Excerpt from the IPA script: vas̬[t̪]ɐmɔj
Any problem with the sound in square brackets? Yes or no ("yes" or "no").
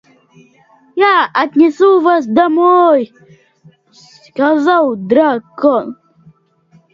yes